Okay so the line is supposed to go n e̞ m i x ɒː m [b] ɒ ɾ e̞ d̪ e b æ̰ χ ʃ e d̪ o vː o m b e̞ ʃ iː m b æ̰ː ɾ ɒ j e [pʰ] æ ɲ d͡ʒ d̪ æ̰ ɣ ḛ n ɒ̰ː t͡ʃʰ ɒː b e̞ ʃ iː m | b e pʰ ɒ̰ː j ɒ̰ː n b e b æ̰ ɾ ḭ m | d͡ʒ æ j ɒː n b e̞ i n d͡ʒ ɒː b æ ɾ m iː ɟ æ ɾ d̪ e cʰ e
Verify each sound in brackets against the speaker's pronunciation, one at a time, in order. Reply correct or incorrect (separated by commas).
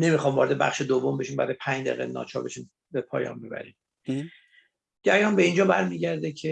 incorrect, correct